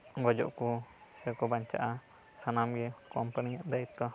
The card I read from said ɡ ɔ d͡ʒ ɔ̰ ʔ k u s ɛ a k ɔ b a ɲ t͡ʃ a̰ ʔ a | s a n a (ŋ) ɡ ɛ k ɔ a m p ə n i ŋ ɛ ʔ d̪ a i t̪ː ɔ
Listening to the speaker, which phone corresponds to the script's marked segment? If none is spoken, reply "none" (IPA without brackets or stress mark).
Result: m